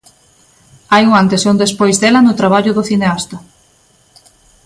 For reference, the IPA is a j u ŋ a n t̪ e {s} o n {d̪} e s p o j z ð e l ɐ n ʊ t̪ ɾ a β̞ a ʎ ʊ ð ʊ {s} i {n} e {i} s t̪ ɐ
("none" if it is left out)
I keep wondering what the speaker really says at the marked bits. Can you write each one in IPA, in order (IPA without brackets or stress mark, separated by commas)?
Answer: s, d̪, θ, n, a